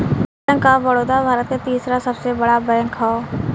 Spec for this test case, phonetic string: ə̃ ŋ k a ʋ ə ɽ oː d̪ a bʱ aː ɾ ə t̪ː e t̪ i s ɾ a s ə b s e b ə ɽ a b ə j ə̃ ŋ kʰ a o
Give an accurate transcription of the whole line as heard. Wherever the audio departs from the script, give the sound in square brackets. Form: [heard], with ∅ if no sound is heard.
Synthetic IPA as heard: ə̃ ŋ k a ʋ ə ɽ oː d̪ a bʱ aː ɾ ə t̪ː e t̪ [iː] s ɾ a s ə b s e b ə ɽ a b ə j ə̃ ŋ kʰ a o